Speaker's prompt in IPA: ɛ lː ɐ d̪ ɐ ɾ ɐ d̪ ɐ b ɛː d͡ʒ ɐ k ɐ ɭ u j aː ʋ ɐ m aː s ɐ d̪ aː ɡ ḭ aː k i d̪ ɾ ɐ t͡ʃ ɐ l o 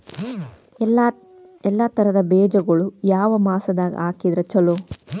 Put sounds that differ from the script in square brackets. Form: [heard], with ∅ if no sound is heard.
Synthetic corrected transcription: ɛ lː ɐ [t̪] ɐ ɾ ɐ d̪ ɐ b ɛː d͡ʒ ɐ [ɡ] ɐ ɭ u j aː ʋ ɐ m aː s ɐ d̪ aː ɡ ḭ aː k i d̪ ɾ ɐ t͡ʃ ɐ l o

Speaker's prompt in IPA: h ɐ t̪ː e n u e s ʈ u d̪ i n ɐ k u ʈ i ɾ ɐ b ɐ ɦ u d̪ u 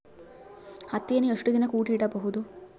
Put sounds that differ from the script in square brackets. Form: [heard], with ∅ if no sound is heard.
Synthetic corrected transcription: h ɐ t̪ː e n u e [ʂ] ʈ u d̪ i n ɐ k [uː] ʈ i [ɽ] ɐ b ɐ ɦ u d̪ u

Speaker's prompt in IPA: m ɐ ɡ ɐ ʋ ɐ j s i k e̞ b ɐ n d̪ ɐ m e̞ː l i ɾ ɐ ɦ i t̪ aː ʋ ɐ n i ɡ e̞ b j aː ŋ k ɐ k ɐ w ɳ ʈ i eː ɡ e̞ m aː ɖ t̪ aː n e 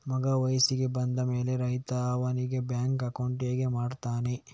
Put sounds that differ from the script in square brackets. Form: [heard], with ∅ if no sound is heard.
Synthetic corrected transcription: m ɐ ɡ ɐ ʋ ɐ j s i [ɡ] e̞ b ɐ n d̪ ɐ m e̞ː l [e] ɾ ɐ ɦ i t̪ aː ʋ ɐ n i ɡ e̞ b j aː ŋ k ɐ k ɐ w ɳ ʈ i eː ɡ e̞ m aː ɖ t̪ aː n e

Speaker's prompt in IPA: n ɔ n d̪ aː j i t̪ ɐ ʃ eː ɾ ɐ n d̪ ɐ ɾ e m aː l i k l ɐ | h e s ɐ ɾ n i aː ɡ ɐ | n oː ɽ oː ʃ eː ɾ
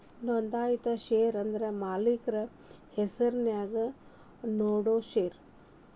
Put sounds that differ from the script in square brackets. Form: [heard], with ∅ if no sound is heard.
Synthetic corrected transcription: n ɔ n d̪ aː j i t̪ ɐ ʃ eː ɾ ɐ n d̪ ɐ ɾ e m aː l i k [ɾ] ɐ | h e s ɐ ɾ n [j] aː ɡ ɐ | n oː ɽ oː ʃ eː ɾ

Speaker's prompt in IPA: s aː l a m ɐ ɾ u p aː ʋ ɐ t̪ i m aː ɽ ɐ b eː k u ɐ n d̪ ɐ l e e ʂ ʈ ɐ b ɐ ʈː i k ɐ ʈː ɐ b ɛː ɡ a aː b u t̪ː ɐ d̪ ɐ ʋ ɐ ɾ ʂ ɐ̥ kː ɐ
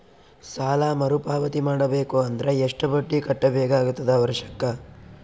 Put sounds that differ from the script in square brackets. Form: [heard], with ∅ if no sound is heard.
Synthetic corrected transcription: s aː l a m ɐ ɾ u p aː ʋ ɐ t̪ i m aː ɽ ɐ b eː k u ɐ n d̪ ɐ [ɾ] e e ʂ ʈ ɐ b ɐ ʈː i k ɐ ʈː ɐ b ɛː ɡ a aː [ɡ] u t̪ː ɐ d̪ ɐ ʋ ɐ ɾ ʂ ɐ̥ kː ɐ

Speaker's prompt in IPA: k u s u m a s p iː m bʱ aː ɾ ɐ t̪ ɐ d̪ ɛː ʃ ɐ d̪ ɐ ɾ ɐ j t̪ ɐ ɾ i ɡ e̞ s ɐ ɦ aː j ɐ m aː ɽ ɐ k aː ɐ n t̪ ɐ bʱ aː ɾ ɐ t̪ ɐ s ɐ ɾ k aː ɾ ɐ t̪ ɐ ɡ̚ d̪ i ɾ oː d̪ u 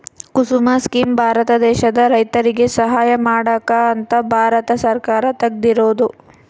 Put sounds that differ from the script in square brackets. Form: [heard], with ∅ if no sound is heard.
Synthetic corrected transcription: k u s u m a s [k] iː m bʱ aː ɾ ɐ t̪ ɐ d̪ ɛː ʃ ɐ d̪ ɐ ɾ ɐ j t̪ ɐ ɾ i ɡ e̞ s ɐ ɦ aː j ɐ m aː ɽ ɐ k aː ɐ n t̪ ɐ bʱ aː ɾ ɐ t̪ ɐ s ɐ ɾ k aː ɾ ɐ t̪ ɐ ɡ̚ d̪ i ɾ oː d̪ u

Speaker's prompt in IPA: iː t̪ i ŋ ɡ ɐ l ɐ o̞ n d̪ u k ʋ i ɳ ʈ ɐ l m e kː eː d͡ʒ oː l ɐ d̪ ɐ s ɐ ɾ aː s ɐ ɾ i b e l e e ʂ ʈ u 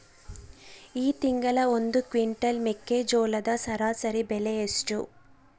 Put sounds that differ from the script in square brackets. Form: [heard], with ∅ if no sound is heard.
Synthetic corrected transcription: iː t̪ i ŋ ɡ ɐ l ɐ o̞ n d̪ u k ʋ i ɳ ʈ ɐ l m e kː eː d͡ʒ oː l ɐ d̪ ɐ s ɐ ɾ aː s ɐ ɾ i b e l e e [s] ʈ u

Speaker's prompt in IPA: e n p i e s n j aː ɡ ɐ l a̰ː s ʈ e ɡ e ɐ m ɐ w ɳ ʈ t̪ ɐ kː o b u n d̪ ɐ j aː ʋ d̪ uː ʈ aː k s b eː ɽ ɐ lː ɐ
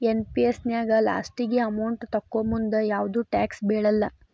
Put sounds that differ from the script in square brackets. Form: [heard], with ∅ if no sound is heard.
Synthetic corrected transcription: e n p i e s n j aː ɡ ɐ l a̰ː s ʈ [i] ɡ e ɐ m ɐ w ɳ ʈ t̪ ɐ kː o [m] u n d̪ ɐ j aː ʋ d̪ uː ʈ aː k s b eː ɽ ɐ lː ɐ

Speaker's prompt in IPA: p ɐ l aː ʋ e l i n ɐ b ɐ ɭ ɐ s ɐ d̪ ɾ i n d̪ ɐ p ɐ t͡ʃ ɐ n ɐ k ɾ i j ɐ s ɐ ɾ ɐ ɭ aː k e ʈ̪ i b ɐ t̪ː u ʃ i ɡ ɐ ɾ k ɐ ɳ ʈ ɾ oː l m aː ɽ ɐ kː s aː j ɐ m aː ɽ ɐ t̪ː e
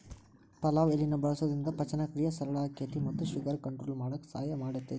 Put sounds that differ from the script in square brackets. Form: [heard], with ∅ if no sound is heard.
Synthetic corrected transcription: p ɐ l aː ʋ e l i n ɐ b ɐ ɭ ɐ s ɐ d̪ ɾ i n d̪ ɐ p ɐ t͡ʃ ɐ n ɐ k ɾ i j ɐ s ɐ ɾ ɐ ɭ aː k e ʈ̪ i [m] ɐ t̪ː u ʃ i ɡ ɐ ɾ k ɐ ɳ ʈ ɾ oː l m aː ɽ ɐ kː s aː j ɐ m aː ɽ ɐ t̪ː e

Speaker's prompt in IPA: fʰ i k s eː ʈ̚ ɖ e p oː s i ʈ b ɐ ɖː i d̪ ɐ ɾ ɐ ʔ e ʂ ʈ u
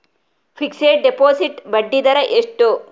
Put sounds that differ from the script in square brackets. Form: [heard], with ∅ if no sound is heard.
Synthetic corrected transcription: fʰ i k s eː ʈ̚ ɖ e p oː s i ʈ b ɐ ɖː i d̪ ɐ ɾ ɐ ʔ e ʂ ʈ u

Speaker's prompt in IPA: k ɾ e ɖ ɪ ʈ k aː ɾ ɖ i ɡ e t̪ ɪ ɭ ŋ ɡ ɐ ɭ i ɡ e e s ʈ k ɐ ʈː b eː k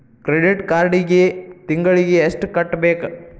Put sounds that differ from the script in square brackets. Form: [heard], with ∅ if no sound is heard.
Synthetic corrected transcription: k ɾ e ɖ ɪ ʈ k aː ɾ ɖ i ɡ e t̪ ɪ [∅] ŋ ɡ ɐ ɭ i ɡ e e s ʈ k ɐ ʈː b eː k

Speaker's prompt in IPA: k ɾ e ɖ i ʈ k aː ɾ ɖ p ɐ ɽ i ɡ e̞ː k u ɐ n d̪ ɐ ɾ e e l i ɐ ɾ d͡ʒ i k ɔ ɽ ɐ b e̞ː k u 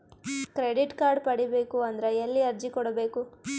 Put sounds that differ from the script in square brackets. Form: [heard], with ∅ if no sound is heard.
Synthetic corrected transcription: k ɾ e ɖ i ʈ k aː ɾ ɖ p ɐ ɽ i [b] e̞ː k u ɐ n d̪ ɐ ɾ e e [lː] i ɐ ɾ d͡ʒ i k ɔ ɽ ɐ b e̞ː k u

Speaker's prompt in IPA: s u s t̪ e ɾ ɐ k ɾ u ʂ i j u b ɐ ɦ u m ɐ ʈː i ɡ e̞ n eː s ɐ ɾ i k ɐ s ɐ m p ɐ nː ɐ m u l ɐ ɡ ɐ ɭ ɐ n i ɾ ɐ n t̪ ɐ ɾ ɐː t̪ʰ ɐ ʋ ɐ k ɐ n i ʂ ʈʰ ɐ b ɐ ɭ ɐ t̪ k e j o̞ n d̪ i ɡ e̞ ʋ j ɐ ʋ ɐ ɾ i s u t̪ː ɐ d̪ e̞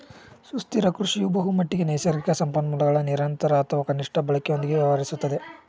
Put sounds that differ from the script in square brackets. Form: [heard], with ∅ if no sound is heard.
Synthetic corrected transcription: s u s t̪ [i] ɾ ɐ k ɾ u ʂ i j u b ɐ ɦ u m ɐ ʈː i ɡ e̞ n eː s ɐ ɾ i k ɐ s ɐ m p ɐ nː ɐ m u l ɐ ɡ ɐ ɭ ɐ n i ɾ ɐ n t̪ ɐ ɾ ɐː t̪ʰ ɐ ʋ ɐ k ɐ n i ʂ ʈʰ ɐ b ɐ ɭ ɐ [∅] k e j o̞ n d̪ i ɡ e̞ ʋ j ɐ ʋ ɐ ɾ i s u t̪ː ɐ d̪ e̞

